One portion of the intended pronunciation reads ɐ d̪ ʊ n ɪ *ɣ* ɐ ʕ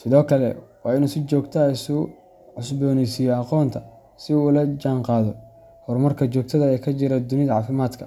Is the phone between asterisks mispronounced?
yes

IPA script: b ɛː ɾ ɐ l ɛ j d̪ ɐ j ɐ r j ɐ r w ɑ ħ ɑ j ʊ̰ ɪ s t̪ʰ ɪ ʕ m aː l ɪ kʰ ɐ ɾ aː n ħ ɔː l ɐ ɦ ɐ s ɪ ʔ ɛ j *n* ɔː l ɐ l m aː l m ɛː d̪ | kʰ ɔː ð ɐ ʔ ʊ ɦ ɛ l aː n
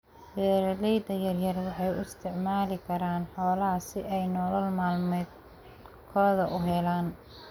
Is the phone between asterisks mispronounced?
no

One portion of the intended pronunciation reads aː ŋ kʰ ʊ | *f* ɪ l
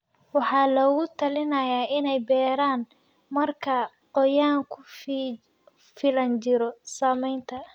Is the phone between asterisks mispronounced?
no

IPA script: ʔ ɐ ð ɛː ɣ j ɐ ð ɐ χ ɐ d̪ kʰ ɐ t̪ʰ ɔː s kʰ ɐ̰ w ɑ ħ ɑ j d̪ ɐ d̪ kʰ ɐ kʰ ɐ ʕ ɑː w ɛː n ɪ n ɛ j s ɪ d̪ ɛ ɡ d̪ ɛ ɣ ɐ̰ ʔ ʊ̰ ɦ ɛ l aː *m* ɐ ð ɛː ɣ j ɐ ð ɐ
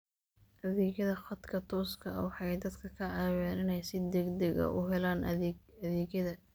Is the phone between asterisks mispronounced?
yes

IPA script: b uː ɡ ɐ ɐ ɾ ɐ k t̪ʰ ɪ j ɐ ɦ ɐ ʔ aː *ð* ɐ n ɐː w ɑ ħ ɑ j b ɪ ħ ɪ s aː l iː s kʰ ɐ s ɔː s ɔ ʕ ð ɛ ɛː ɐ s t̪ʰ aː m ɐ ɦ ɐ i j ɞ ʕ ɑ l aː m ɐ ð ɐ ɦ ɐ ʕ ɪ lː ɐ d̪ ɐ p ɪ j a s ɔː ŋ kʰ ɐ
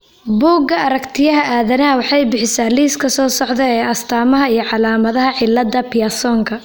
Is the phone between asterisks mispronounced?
no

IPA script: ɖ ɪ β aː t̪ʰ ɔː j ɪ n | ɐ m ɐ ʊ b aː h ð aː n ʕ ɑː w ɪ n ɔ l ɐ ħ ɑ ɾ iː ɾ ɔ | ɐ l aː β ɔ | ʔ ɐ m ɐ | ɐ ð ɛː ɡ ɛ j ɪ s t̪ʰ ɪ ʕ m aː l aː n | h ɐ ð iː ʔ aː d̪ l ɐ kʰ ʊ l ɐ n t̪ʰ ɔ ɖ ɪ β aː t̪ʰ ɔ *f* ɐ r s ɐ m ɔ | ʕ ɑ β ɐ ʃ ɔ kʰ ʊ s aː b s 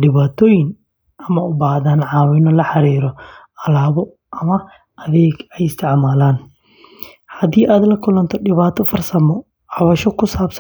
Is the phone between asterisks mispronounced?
no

